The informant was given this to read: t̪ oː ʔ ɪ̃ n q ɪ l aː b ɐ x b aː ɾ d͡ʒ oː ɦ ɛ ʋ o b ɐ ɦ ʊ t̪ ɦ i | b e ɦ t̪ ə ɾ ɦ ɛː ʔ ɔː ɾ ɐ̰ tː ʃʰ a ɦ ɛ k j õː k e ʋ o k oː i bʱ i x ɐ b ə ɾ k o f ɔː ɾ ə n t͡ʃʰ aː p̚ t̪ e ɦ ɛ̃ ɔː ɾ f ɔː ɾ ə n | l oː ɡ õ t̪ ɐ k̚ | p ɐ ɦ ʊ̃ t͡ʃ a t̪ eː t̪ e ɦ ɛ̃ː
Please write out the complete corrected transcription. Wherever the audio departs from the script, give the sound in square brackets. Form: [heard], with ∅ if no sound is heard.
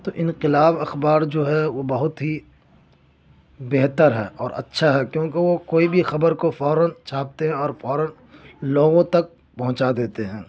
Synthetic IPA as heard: t̪ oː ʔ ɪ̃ n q ɪ l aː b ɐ x b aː ɾ d͡ʒ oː ɦ ɛ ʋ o b ɐ ɦ ʊ t̪ ɦ i | b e ɦ t̪ ə ɾ ɦ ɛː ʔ ɔː ɾ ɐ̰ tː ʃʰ a ɦ ɛ k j õː k e ʋ o k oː i bʱ i x ɐ b ə ɾ k o f ɔː ɾ ə n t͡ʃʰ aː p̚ t̪ e ɦ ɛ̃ ɔː ɾ f ɔː ɾ ə n | l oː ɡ õ t̪ ɐ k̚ | p ɐ ɦ ʊ̃ t͡ʃ a [d̪] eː t̪ e ɦ ɛ̃ː

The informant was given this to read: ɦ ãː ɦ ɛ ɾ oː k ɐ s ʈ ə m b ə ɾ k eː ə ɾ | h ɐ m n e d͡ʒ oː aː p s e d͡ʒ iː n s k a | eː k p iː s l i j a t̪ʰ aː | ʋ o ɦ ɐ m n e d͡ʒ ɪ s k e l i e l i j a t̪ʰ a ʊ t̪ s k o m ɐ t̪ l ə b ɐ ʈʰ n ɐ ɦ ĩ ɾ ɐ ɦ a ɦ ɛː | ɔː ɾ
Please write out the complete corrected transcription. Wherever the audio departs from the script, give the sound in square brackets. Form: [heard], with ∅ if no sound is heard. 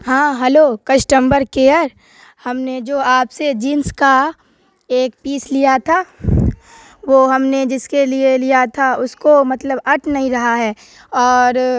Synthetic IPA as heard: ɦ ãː ɦ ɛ [l] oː k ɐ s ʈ ə m b ə ɾ k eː ə ɾ | h ɐ m n e d͡ʒ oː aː p s e d͡ʒ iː n s k a | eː k p iː s l i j a t̪ʰ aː | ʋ o ɦ ɐ m n e d͡ʒ ɪ s k e l i e l i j a t̪ʰ a ʊ [∅] s k o m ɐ t̪ l ə b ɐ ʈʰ n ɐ ɦ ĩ ɾ ɐ ɦ a ɦ ɛː | ɔː ɾ

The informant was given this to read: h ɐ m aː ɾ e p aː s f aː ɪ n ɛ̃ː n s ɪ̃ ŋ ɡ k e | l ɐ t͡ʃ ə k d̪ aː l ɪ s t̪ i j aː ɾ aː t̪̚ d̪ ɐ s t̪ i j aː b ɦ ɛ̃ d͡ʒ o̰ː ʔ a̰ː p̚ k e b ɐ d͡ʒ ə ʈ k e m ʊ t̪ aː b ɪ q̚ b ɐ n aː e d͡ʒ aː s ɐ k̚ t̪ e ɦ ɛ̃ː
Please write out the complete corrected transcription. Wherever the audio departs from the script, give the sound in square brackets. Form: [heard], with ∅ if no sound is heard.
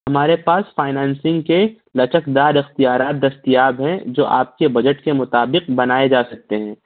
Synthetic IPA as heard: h ɐ m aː ɾ e p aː s f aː ɪ n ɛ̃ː n s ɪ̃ ŋ ɡ k e | l ɐ t͡ʃ ə k d̪ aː [ɾ] ɪ [x] t̪ i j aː ɾ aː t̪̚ d̪ ɐ s t̪ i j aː b ɦ ɛ̃ d͡ʒ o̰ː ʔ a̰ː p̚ k e b ɐ d͡ʒ ə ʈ k e m ʊ t̪ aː b ɪ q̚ b ɐ n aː e d͡ʒ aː s ɐ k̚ t̪ e ɦ ɛ̃ː

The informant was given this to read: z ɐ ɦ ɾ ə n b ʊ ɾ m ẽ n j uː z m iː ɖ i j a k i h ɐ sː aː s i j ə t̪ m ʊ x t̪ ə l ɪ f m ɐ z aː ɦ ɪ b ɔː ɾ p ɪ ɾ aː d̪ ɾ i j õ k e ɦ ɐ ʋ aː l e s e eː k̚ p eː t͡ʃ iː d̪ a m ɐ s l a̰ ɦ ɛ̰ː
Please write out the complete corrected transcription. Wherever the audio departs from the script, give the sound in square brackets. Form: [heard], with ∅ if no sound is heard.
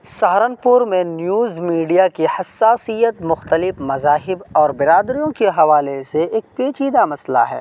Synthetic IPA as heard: [s] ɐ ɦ ɾ ə n [p] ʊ ɾ m ẽ n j uː z m iː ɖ i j a k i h ɐ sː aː s i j ə t̪ m ʊ x t̪ ə l ɪ f m ɐ z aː ɦ ɪ b ɔː ɾ [b] ɪ ɾ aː d̪ ɾ i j õ k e ɦ ɐ ʋ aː l e s e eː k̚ p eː t͡ʃ iː d̪ a m ɐ s l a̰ ɦ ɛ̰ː

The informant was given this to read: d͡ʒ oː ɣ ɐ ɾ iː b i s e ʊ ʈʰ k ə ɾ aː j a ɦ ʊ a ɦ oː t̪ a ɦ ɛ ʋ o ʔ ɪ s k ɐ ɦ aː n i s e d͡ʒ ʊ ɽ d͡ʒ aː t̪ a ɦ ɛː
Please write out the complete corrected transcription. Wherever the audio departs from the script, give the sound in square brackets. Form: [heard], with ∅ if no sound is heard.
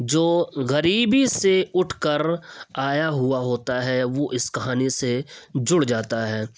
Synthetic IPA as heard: d͡ʒ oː ɣ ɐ ɾ iː b i s e ʊ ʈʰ k ə ɾ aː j a ɦ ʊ a ɦ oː t̪ a ɦ ɛ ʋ o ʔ ɪ s k ɐ ɦ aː n i s e d͡ʒ ʊ ɽ d͡ʒ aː t̪ a ɦ ɛː

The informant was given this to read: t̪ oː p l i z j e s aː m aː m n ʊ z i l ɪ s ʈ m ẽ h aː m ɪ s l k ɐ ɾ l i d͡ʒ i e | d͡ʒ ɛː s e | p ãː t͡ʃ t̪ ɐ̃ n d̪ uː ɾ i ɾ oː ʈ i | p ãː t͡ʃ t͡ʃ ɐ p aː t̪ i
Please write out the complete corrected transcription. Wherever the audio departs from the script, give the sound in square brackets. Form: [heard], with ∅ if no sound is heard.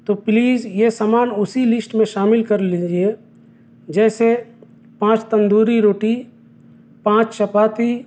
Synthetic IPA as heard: t̪ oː p l [iː] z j e s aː m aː [∅] n ʊ [s] i l ɪ s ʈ m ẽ [ʃ] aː m ɪ [∅] l k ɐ ɾ l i d͡ʒ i e | d͡ʒ ɛː s e | p ãː t͡ʃ t̪ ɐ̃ n d̪ uː ɾ i ɾ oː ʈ i | p ãː t͡ʃ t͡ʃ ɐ p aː t̪ i

